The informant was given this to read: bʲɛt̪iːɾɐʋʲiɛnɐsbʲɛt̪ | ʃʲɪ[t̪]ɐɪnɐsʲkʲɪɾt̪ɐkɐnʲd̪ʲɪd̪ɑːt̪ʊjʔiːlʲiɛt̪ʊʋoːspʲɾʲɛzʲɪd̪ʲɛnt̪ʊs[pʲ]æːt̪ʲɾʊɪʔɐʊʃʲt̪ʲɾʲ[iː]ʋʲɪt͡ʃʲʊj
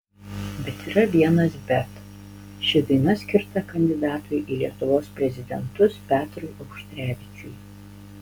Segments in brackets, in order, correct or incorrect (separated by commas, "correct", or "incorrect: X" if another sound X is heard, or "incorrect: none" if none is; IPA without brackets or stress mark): incorrect: d̪, correct, incorrect: æː